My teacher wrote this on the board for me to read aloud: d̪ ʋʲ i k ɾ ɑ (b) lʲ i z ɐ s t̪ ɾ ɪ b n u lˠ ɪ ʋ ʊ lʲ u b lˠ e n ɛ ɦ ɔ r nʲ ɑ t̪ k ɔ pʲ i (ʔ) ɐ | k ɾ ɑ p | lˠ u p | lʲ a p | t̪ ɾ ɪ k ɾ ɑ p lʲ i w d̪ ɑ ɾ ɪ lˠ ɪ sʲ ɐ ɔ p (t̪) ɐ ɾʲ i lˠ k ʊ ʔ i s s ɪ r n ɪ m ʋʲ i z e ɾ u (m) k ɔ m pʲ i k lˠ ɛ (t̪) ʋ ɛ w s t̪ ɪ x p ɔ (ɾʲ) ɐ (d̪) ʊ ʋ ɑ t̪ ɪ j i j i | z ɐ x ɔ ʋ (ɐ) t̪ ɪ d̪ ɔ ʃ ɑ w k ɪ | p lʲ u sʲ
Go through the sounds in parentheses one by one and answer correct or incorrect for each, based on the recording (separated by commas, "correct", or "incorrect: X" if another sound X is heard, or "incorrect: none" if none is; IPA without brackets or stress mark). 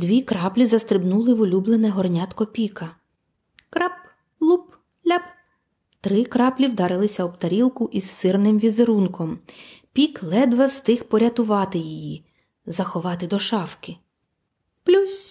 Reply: incorrect: p, incorrect: k, correct, incorrect: n, incorrect: d̪, correct, incorrect: t̪, incorrect: ɑ